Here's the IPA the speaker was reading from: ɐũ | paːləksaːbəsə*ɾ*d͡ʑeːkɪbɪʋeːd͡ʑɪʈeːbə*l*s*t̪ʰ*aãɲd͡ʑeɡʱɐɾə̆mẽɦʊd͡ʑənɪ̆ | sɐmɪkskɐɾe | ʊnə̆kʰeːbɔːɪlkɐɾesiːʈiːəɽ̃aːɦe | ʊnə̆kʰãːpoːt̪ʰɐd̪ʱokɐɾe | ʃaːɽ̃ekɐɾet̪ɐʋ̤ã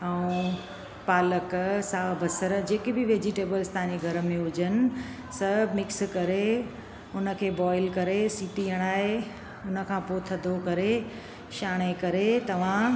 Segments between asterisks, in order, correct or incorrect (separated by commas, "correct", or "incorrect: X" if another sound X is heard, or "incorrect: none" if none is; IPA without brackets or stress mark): correct, correct, incorrect: t̪